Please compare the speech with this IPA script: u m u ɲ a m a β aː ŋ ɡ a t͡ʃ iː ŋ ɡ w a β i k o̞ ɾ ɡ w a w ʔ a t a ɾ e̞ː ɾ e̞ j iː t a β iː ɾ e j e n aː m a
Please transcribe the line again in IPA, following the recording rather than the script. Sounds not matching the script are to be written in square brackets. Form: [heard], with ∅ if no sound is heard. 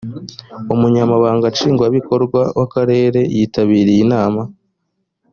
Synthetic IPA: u m u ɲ a m a β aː ŋ ɡ a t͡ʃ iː ŋ ɡ w a β i k o̞ ɾ ɡ w a w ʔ a [k] a ɾ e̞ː ɾ e̞ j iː t a β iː ɾ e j [i] n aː m a